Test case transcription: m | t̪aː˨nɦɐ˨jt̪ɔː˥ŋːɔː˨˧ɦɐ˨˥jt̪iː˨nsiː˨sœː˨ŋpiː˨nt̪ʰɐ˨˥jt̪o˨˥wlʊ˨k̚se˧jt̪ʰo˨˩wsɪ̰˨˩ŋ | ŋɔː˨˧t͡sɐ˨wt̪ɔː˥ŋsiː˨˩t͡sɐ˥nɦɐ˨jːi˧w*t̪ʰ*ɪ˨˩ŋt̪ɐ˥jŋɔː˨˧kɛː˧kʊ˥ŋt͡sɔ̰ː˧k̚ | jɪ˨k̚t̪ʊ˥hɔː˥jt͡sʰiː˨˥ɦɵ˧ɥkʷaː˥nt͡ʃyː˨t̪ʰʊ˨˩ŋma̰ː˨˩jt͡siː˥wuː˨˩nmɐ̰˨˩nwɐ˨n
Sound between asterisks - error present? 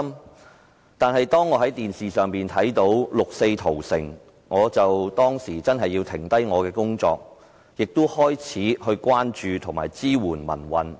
no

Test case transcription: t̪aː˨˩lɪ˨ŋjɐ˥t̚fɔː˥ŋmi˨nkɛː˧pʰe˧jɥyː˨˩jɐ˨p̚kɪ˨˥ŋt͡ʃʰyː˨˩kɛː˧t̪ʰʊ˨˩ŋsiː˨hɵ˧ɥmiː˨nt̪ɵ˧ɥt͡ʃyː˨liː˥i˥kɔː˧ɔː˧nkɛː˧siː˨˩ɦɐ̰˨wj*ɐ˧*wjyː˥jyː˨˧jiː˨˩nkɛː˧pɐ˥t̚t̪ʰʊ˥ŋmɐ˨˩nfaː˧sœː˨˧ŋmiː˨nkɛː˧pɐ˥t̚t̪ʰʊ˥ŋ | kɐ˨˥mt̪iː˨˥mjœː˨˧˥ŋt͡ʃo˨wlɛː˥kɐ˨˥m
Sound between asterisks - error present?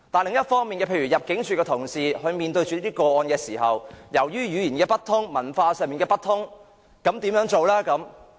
yes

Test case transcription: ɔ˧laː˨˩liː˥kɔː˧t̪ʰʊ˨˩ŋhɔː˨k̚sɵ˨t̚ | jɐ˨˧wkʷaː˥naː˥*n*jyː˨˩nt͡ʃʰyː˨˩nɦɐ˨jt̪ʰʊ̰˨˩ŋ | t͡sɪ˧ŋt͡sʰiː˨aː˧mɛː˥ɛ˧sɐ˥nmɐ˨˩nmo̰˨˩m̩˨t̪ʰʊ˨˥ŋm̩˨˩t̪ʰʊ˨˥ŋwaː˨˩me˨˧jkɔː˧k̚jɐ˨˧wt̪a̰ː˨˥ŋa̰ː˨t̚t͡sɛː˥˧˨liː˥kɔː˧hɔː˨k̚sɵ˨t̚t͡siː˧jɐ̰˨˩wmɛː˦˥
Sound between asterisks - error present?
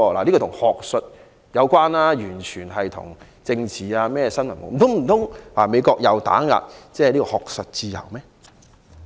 yes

